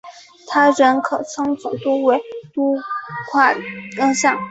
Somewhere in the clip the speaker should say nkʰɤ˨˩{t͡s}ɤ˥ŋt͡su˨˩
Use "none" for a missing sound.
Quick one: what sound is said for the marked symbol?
t͡sʰ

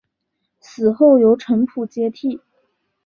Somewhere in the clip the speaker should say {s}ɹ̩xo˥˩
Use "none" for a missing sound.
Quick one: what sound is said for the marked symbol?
s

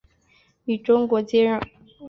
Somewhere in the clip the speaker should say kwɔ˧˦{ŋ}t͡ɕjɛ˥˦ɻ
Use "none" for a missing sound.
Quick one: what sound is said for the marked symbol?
none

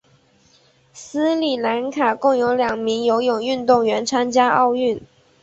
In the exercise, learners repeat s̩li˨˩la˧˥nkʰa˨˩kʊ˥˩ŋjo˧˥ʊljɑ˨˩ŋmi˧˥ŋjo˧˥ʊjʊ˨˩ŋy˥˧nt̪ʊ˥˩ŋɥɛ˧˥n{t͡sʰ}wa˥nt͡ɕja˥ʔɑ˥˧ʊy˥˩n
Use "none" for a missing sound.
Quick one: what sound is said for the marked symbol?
t͡sʰ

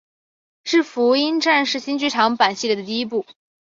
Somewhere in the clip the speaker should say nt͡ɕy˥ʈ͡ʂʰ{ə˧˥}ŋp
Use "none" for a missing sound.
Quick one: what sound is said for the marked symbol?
ɑ˧˥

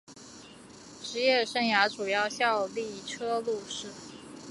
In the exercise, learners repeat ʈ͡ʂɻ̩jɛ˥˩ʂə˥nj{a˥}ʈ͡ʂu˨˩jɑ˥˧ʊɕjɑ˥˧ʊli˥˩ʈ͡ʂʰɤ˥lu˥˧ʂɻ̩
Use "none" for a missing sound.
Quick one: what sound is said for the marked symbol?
a˧˥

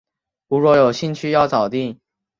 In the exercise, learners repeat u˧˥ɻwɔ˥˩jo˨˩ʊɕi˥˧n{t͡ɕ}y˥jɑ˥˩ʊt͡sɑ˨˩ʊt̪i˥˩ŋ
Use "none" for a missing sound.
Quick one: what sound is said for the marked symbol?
t͡ɕʰ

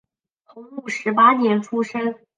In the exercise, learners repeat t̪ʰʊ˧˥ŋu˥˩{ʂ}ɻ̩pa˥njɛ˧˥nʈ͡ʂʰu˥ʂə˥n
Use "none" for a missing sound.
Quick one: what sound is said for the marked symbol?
ʂ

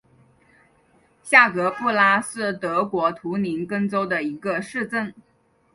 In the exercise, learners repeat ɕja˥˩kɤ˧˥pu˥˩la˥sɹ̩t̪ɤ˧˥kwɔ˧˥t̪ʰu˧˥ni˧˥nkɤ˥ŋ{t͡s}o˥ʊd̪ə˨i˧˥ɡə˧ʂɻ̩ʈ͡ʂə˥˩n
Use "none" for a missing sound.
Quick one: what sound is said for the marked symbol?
t͡s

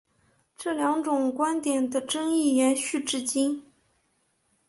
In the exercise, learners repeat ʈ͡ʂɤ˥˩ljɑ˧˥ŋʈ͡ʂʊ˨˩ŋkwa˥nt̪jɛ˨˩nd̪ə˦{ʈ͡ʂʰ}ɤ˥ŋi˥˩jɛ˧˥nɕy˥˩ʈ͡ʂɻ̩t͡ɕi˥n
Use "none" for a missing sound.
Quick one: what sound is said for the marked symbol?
ʈ͡ʂ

